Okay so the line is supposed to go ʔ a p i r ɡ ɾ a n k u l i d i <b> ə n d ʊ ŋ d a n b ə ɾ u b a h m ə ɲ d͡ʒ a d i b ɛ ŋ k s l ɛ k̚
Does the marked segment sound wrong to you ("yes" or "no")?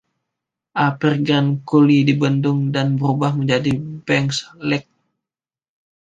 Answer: no